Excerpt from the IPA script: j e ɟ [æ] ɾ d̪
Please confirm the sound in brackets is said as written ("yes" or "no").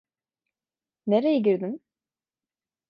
no